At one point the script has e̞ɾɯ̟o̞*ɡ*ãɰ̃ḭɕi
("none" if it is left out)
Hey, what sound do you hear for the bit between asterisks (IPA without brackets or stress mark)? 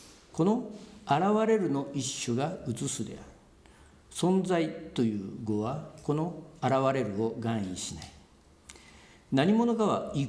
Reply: ɡ